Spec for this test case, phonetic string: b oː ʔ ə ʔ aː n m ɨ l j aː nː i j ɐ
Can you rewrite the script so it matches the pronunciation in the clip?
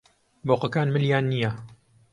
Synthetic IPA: b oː q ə k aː n m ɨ l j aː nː i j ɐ